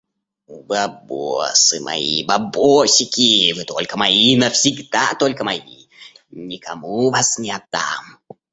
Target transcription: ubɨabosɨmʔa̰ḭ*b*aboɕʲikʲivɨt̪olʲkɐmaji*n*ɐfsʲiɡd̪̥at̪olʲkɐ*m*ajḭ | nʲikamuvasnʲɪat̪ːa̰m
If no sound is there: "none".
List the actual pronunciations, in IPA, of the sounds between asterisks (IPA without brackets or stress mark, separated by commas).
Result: b, n, m